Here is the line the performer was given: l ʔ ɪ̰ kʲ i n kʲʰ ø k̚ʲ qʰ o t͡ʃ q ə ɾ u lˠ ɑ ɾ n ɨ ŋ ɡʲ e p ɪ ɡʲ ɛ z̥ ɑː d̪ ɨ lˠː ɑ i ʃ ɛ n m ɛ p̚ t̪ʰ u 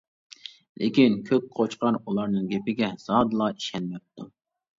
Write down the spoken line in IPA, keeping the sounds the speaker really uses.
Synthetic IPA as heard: l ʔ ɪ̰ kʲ i n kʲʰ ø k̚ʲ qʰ o t͡ʃ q ɑ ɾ u lˠ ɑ ɾ n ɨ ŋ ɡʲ e p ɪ ɡʲ ɛ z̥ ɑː d̪ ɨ lˠ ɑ i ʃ ɛ n m ɛ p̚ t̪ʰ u